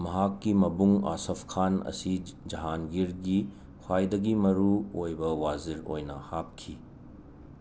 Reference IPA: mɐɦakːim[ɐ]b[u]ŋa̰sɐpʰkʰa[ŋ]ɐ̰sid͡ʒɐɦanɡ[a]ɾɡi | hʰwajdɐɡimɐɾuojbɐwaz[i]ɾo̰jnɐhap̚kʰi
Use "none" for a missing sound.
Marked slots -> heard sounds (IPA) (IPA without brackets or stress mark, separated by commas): ɐ, u, n, i, i